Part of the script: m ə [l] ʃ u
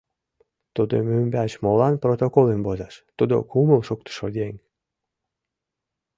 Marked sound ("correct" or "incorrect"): correct